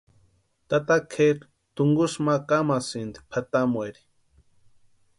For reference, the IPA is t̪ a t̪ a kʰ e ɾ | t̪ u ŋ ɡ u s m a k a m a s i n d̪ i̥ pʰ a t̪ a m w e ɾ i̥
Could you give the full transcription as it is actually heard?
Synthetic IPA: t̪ a t̪ a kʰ e ɾ | t̪ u ŋ ɡ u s m a k a m a s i n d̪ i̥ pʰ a t̪ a m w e ɾ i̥